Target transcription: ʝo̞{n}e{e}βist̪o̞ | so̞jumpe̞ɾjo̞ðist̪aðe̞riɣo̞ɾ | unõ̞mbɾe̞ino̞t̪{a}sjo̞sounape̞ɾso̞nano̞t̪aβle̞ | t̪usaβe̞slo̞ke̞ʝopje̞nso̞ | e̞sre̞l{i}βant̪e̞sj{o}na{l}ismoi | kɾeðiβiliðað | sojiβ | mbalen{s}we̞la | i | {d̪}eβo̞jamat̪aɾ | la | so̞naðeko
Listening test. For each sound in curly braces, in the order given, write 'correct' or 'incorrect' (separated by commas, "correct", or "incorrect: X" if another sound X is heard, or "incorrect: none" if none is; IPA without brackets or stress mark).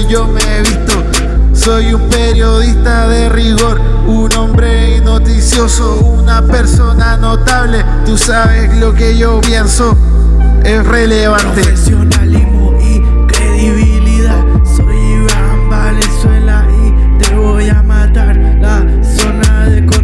incorrect: m, correct, incorrect: i, incorrect: e, correct, correct, correct, incorrect: t̪